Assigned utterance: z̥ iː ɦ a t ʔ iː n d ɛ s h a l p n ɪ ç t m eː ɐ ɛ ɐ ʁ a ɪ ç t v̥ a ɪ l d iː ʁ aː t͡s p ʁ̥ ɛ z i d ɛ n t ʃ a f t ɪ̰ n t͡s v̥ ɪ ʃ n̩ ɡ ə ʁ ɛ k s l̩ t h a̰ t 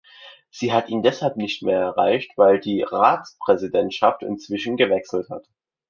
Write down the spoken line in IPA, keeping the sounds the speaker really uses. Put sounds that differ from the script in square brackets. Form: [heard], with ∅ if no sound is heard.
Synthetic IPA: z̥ iː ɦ a t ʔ iː n d ɛ s h a l p n ɪ ç t m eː ɐ ɛ ɐ ʁ a ɪ ç t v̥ a ɪ l d iː ʁ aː t͡s p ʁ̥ ɛ z i d ɛ n t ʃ a f t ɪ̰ n t͡s v̥ ɪ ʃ n̩ ɡ ə [v] ɛ k s l̩ t h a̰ t